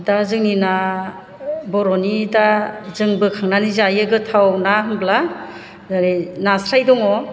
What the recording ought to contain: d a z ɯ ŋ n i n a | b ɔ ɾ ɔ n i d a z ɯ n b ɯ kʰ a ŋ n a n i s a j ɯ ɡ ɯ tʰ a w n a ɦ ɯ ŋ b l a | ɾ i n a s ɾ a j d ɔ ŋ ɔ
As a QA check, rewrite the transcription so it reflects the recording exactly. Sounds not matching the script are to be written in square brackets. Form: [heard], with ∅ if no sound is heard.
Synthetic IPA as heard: d a z ɯ ŋ n i n a | b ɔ ɾ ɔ n i d a z ɯ [ŋ] b ɯ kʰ a ŋ n a n i [z] a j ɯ ɡ ɯ tʰ a w n a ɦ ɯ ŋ b l a | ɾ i n a s ɾ a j d ɔ ŋ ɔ